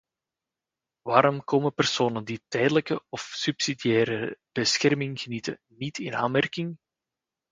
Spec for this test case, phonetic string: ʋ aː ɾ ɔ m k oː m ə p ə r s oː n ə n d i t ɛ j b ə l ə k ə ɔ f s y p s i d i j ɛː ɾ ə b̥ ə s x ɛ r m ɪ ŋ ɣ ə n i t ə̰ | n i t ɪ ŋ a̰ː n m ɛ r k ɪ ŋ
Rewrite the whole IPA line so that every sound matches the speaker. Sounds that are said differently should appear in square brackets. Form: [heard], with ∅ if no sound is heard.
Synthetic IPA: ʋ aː ɾ ɔ m k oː m ə p ə r s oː n ə n d i t ɛ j [d] ə l ə k ə ɔ f s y p s i d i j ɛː ɾ ə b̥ ə s x ɛ r m ɪ ŋ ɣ ə n i t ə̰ | n i t ɪ [n] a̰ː n m ɛ r k ɪ ŋ